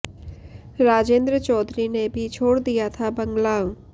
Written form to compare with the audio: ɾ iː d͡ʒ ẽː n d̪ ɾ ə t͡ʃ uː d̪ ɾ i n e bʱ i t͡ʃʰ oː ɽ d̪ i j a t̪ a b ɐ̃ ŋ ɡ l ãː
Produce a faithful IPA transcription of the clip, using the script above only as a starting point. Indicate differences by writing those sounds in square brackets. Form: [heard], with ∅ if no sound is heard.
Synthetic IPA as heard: ɾ [aː] d͡ʒ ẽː n d̪ ɾ ə t͡ʃ [ɔː] d̪ ɾ i n e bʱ i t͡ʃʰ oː ɽ d̪ i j a [t̪ʰ] a b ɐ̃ ŋ ɡ l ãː